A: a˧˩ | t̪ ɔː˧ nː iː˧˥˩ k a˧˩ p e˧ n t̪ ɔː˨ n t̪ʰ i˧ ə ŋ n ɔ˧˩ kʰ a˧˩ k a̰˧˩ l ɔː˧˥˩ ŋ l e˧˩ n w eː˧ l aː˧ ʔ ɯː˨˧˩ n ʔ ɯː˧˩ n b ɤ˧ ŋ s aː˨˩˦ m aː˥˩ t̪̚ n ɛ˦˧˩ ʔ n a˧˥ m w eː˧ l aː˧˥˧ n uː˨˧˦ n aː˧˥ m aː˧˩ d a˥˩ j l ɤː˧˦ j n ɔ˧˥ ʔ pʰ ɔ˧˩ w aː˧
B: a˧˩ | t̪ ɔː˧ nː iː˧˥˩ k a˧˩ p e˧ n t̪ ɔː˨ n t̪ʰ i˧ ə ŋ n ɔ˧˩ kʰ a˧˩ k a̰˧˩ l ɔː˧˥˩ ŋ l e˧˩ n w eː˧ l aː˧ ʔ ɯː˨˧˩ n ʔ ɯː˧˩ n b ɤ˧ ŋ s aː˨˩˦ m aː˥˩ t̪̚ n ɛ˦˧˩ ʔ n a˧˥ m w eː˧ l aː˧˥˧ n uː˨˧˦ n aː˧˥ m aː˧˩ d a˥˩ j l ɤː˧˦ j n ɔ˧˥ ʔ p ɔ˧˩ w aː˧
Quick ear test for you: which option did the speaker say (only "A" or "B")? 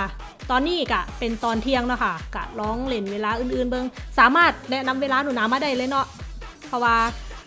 A